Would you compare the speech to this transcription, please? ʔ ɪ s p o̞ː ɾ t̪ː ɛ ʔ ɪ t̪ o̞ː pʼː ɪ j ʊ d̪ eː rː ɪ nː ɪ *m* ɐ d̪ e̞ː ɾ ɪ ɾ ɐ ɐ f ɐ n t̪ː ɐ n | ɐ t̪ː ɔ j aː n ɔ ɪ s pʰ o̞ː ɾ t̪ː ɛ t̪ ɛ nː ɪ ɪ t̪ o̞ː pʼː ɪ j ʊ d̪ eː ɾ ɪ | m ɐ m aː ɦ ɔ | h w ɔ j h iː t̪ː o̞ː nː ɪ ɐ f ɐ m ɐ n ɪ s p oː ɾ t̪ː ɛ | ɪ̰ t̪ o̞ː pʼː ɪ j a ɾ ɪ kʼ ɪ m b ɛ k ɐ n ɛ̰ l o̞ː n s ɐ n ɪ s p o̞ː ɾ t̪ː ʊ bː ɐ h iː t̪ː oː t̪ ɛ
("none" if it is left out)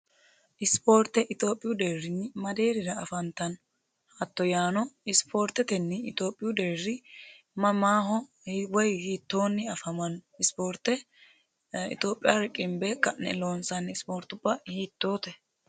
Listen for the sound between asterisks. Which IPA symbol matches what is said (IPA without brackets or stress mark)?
m